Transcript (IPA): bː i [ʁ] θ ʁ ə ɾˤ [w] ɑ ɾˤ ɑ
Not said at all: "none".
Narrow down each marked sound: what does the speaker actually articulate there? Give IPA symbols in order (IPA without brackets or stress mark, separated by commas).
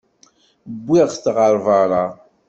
ʁ, v